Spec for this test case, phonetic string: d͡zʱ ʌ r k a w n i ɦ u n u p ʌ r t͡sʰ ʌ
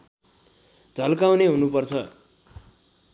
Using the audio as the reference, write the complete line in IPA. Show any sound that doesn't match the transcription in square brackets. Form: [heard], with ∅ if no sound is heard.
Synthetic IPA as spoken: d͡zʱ ʌ [l] k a w n [e] ɦ u n u p ʌ r t͡sʰ ʌ

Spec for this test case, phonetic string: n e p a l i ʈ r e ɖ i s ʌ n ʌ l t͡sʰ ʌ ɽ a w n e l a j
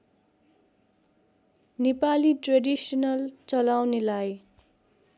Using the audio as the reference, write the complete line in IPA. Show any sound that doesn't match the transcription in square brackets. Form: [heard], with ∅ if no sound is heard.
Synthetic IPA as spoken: n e p a l i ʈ r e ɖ i s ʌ n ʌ l [t͡s] ʌ [l] a w n e l a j

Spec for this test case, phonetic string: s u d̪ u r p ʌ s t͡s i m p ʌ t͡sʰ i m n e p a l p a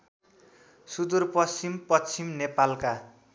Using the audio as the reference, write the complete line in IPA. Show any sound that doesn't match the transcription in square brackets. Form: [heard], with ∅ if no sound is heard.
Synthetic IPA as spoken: s u d̪ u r p ʌ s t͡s i m p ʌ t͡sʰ i m n e p a l [k] a

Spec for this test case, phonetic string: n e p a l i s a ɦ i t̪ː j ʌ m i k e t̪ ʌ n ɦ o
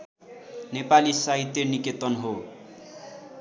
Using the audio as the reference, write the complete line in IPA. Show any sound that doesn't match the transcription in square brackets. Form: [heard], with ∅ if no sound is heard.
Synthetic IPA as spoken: n e p a l i s a ɦ i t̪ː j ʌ [n] i k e t̪ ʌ n ɦ o

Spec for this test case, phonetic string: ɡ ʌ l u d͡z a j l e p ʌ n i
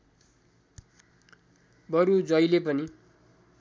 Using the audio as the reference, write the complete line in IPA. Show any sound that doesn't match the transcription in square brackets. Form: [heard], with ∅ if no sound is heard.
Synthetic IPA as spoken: [b] ʌ [ɾ] u d͡z [ʌ] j l e p ʌ n i

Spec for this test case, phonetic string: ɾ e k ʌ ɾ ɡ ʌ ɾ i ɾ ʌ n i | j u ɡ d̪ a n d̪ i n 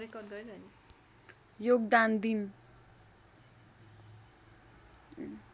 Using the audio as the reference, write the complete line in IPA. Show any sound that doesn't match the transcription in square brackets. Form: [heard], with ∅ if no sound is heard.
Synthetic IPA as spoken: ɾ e k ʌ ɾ ɡ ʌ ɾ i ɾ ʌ n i | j [o] ɡ d̪ a n d̪ i n

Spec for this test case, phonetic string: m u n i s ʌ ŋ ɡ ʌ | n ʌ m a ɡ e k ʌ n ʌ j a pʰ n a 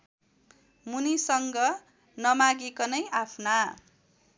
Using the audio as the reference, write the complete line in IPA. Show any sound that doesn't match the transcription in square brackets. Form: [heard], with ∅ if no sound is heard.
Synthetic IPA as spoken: m u n i s ʌ ŋ ɡ ʌ | n ʌ m a ɡ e k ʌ n ʌ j a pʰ n a

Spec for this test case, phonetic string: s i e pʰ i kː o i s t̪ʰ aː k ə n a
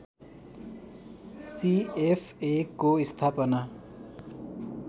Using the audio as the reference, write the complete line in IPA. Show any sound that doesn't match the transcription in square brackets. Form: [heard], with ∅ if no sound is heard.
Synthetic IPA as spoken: s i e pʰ [e] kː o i s t̪ʰ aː [p] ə n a

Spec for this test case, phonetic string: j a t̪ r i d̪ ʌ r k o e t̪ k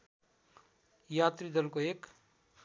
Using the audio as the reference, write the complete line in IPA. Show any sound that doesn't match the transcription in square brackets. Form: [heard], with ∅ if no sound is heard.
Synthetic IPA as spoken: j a t̪ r i d̪ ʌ [l] k o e [∅] k

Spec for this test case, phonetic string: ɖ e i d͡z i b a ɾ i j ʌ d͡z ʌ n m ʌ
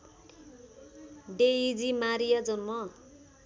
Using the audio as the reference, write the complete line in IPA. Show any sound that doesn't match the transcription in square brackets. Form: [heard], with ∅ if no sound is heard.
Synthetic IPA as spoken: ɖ e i d͡z i [m] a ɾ i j [a] d͡z ʌ n m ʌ

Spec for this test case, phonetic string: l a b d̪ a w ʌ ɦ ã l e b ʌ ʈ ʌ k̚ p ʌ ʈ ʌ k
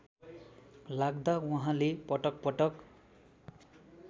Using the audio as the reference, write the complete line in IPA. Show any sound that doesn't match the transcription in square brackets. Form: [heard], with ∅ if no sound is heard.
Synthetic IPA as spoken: l a [ɡ] d̪ a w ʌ ɦ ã l e [p] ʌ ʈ ʌ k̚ p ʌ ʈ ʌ k

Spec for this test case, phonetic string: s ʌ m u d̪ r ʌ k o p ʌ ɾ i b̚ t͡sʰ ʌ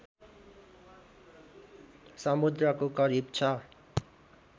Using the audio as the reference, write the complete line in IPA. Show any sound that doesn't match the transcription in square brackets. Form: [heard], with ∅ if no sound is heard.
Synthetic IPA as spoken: s ʌ m u d̪ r ʌ k o [k] ʌ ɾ i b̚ t͡sʰ ʌ

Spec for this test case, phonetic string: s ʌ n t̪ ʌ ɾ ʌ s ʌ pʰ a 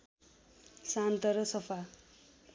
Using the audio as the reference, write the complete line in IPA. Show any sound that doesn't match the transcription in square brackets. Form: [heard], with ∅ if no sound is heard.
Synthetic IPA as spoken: s [a] n t̪ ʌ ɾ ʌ s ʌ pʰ a

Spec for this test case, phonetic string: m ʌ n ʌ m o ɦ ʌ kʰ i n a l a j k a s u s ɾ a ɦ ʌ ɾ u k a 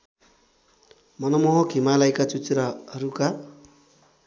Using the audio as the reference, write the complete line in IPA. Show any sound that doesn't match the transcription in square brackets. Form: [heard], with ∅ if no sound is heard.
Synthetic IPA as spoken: m ʌ n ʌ m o ɦ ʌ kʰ i [m] a l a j k a [t͡s] u [t͡s] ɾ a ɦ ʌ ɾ u k a

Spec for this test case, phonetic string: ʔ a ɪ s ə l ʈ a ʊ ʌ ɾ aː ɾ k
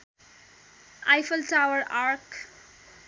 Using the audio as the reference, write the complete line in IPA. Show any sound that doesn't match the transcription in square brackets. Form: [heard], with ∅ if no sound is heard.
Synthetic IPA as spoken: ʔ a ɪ [f] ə l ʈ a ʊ [ə] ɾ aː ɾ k

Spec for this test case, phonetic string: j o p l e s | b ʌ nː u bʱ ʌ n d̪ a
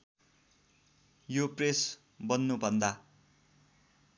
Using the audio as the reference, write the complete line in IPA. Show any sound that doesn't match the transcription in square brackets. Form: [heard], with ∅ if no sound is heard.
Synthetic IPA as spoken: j o p [r] e s | b ʌ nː u bʱ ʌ n d̪ a

